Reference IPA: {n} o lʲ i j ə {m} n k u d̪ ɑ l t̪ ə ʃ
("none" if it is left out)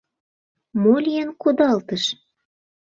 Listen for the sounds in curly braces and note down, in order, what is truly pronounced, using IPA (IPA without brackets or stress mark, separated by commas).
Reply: m, none